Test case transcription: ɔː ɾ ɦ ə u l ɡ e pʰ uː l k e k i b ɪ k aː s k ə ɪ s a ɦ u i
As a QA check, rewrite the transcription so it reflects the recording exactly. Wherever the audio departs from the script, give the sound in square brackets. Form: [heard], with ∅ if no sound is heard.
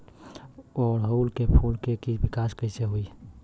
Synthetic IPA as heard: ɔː ɾ ɦ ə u l [k] e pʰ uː l k e k i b ɪ k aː s k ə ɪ s [e] ɦ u i